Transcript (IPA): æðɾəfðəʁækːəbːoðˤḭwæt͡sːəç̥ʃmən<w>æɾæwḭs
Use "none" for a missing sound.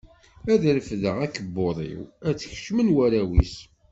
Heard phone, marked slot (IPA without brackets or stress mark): w